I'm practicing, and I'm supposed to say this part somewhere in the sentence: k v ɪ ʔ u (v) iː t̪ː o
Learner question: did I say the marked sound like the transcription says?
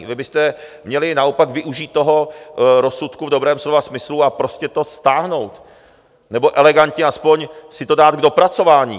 no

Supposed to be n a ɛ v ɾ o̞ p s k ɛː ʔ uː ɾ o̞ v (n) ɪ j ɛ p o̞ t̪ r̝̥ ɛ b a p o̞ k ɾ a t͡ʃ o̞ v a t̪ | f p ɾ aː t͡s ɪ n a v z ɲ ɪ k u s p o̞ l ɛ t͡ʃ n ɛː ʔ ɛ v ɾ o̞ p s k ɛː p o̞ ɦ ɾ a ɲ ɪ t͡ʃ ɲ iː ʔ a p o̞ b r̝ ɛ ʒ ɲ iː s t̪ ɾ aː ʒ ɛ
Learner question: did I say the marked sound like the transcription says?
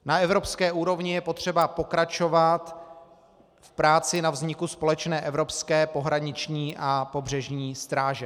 no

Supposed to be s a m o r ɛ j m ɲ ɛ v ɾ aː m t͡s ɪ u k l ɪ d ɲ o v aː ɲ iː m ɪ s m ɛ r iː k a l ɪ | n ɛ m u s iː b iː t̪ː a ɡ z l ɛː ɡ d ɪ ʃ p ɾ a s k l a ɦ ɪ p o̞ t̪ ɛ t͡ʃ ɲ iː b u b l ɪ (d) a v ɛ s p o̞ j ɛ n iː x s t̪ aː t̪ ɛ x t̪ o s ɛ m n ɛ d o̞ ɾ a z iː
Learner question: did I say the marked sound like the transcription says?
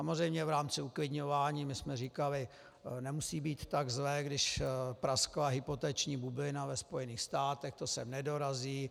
no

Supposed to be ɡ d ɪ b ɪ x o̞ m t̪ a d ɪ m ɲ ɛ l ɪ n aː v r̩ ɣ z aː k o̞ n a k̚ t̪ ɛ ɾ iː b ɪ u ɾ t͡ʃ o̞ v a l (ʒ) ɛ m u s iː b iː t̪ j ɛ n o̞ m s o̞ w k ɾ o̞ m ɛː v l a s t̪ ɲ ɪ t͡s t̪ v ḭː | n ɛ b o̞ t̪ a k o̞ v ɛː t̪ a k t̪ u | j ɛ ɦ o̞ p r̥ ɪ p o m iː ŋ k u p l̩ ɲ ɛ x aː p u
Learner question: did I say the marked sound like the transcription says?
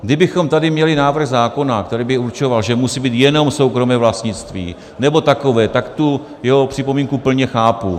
yes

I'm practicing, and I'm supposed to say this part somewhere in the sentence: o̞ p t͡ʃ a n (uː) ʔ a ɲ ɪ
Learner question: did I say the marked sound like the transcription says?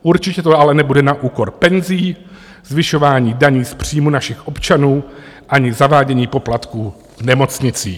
yes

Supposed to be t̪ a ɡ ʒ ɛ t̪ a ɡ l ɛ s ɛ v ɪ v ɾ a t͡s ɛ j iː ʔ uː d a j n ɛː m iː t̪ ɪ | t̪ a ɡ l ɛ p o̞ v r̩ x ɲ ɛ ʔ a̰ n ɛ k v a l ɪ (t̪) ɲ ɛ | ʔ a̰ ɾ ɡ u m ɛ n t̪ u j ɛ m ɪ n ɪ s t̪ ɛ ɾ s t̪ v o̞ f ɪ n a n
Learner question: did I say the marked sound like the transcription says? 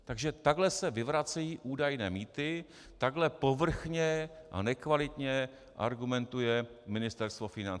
yes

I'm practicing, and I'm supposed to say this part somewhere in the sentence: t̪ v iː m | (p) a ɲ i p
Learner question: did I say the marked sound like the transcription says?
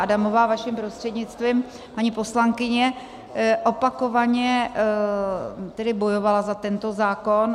yes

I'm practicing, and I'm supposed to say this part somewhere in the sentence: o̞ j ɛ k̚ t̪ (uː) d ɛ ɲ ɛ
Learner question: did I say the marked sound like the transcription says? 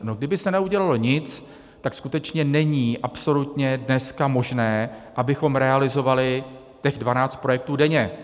yes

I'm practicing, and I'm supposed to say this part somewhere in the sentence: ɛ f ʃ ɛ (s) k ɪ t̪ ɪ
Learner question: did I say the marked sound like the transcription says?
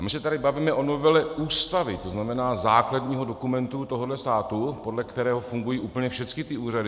no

